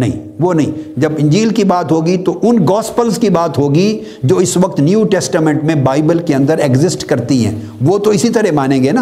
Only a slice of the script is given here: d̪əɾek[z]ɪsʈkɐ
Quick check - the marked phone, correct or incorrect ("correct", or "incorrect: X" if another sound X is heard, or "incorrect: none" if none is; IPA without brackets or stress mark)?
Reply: correct